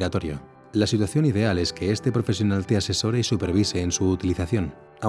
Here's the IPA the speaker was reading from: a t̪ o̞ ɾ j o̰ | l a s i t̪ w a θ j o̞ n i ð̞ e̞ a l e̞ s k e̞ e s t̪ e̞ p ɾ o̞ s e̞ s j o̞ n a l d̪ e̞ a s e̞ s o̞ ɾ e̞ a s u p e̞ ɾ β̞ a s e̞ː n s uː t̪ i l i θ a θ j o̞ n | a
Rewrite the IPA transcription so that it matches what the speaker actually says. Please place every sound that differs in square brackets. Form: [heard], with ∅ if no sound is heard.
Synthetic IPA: a t̪ o̞ ɾ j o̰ | l a s i t̪ w a θ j o̞ n i ð̞ e̞ a l e̞ s k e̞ e s t̪ e̞ p ɾ o̞ [f] e̞ s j o̞ n a l [t̪] e̞ a s e̞ s o̞ ɾ e̞ [i] s u p e̞ ɾ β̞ [i] s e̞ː n s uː t̪ i l i θ a θ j o̞ n | a